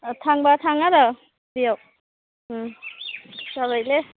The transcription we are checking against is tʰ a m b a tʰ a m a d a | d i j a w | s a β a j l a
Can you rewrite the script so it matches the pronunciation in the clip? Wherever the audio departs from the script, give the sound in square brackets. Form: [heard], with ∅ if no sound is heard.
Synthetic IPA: tʰ a [ŋ] b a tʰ a [ŋ] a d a | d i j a w | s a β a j l [e]